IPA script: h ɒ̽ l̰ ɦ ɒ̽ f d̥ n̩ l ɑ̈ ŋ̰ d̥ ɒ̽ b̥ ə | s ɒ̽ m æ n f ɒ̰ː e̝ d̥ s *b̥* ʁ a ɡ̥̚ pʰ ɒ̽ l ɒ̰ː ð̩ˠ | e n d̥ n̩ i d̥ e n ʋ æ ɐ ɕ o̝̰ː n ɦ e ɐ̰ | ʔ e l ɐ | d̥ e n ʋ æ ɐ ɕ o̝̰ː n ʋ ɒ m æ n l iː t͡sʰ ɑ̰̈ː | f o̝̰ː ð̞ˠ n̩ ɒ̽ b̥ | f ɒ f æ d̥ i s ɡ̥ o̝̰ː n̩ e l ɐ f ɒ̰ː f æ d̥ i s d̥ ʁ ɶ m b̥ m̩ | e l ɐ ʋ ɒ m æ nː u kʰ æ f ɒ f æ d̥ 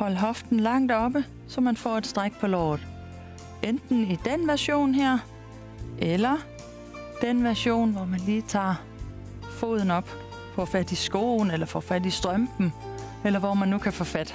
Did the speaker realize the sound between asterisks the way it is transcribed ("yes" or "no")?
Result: no